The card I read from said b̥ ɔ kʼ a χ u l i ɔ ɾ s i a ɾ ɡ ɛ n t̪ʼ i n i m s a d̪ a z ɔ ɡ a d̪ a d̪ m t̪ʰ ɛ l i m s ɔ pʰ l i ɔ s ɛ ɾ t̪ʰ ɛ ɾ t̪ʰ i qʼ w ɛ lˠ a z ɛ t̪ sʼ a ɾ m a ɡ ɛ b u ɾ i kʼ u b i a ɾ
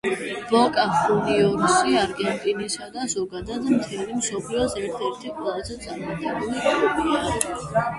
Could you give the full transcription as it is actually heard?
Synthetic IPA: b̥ ɔ kʼ a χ u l i ɔ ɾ s i a ɾ ɡ ɛ n t̪ʼ i n i s a d̪ a z ɔ ɡ a d̪ a d̪ m t̪ʰ ɛ l i m s ɔ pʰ l i ɔ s ɛ ɾ t̪ʰ ɛ ɾ t̪ʰ i qʼ w ɛ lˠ a z ɛ t̪ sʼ a ɾ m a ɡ ɛ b u l i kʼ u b i a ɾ